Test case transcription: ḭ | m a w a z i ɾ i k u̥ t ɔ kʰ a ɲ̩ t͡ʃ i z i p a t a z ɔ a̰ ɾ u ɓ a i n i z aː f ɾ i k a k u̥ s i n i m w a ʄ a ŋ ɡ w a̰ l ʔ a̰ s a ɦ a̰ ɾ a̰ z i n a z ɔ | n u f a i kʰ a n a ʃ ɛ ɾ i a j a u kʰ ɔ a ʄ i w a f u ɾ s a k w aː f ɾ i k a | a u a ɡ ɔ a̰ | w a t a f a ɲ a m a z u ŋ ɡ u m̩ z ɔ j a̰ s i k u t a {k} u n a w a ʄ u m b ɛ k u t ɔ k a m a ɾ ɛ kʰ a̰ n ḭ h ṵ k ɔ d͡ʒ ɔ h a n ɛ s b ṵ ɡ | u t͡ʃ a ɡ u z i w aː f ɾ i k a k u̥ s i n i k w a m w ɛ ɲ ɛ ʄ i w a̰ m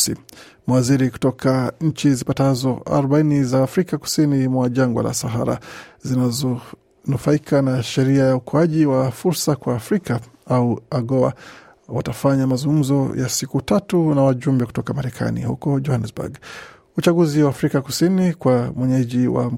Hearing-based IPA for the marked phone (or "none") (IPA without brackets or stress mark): t